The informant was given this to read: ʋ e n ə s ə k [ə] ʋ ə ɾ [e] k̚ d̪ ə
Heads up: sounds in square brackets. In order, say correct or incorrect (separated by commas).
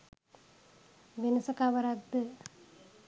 incorrect, incorrect